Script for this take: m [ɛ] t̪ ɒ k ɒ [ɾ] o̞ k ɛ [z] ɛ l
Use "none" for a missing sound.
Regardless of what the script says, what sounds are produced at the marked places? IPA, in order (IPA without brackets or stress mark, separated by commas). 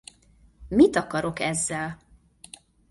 i, ɾ, zː